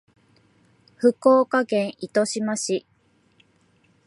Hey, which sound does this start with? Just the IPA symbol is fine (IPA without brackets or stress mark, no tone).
ɸ